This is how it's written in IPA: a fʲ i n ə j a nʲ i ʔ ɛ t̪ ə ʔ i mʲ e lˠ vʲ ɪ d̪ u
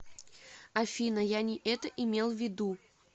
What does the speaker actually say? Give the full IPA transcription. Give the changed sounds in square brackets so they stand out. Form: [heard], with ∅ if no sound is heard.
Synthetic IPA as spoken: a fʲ i n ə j a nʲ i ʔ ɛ t̪ ə ʔ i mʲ e lˠ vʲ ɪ d̪ u